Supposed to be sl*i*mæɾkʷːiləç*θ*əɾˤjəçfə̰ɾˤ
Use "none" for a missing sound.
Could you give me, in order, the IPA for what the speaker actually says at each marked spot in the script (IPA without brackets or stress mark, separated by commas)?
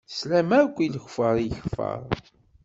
æ, f